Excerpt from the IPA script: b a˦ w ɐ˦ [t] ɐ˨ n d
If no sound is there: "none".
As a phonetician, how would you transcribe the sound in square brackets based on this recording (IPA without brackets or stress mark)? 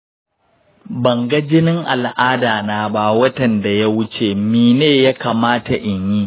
t